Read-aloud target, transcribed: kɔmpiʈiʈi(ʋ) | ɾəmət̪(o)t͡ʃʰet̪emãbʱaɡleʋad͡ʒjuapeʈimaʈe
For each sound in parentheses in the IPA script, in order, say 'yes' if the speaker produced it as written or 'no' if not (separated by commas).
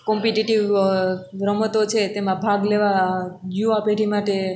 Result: yes, yes